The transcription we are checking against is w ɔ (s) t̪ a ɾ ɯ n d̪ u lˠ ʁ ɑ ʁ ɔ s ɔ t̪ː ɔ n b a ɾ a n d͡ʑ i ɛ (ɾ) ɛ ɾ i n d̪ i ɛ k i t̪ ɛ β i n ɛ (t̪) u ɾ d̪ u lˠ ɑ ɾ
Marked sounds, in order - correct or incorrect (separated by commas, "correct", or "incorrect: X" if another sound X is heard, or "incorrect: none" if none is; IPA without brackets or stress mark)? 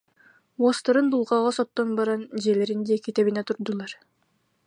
correct, incorrect: l, correct